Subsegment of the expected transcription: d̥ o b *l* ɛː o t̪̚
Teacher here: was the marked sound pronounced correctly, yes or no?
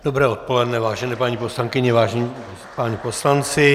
no